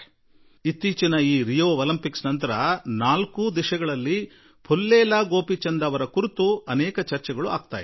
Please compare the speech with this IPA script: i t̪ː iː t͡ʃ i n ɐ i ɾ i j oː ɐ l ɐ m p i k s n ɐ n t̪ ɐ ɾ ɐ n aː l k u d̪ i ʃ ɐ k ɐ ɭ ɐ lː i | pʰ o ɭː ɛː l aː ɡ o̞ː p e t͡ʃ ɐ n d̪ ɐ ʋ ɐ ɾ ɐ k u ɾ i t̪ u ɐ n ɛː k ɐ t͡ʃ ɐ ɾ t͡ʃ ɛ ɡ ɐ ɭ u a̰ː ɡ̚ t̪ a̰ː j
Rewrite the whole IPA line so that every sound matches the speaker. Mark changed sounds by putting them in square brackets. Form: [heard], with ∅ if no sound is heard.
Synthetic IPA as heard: i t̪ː iː t͡ʃ i n ɐ [iː] ɾ i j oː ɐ l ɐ m p i k s n ɐ n t̪ ɐ ɾ ɐ n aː l k u d̪ i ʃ ɐ [ɡ] ɐ ɭ ɐ lː i | pʰ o [lː] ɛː l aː ɡ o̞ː p [i] t͡ʃ ɐ n d̪ ɐ ʋ ɐ ɾ ɐ k u ɾ i t̪ u ɐ n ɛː k ɐ t͡ʃ ɐ ɾ t͡ʃ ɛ ɡ ɐ ɭ u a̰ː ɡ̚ t̪ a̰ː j